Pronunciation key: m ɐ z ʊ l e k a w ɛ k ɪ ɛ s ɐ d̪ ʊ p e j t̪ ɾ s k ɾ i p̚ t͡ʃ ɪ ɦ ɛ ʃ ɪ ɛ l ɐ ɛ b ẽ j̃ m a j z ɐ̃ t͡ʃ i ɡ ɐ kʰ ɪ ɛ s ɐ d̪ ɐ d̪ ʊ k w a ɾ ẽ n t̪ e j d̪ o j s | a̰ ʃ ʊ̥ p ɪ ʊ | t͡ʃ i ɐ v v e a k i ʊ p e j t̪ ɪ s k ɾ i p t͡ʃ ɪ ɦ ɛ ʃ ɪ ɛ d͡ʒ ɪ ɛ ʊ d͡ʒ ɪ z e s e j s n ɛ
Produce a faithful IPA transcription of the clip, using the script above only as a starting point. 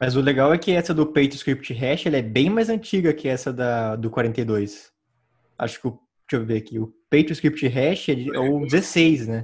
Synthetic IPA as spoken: m ɐ z ʊ l e ɡ a w ɛ k ɪ ɛ s ɐ d̪ ʊ p e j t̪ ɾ s k ɾ i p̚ t͡ʃ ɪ ɦ ɛ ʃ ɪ ɛ l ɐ ɛ b ẽ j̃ m a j z ɐ̃ t͡ʃ i ɡ ɐ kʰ ɪ ɛ s ɐ d̪ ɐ d̪ ʊ k w a ɾ ẽ n t̪ e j d̪ o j s | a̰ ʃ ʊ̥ k ɪ ʊ | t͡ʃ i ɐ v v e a k i ʊ p e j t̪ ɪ s k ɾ i p t͡ʃ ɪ ɦ ɛ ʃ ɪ ɛ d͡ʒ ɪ ɛ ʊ d͡ʒ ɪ z e s e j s n ɛ